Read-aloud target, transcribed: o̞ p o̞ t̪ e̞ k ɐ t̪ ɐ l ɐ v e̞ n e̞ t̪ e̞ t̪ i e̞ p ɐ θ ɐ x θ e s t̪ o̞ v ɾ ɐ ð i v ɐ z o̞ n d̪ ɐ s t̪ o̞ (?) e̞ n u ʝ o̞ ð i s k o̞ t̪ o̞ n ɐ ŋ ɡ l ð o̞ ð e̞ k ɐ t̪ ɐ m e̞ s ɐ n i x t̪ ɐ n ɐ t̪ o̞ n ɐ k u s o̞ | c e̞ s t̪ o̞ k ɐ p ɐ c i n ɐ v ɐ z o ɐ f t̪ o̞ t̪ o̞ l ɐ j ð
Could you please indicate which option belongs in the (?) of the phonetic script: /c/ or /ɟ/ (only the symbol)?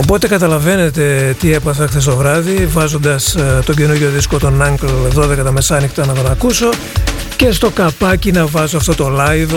ɟ